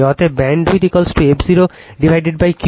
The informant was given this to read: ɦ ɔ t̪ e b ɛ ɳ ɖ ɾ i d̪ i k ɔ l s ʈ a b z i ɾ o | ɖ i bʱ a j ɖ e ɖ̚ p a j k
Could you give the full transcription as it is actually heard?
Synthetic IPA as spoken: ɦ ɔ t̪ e b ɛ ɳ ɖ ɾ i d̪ i k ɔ l s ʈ e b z i ɾ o | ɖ i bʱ a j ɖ e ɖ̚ b a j k